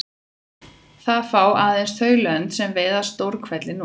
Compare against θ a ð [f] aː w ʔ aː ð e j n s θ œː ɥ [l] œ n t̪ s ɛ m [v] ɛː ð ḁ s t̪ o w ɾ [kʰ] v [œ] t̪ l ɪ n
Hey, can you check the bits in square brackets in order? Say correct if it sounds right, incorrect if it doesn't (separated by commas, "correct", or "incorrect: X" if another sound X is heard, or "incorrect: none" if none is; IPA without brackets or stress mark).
correct, correct, correct, correct, incorrect: ɛ